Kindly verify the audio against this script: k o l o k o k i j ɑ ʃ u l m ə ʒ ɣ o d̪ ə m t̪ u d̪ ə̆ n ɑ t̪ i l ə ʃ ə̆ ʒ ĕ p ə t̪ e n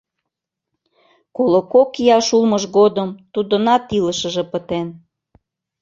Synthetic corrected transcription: k o l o k o k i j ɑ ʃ u l m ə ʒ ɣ o d̪ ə m t̪ u d̪ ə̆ n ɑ t̪ i l ə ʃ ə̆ ʒ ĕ p ə t̪ e n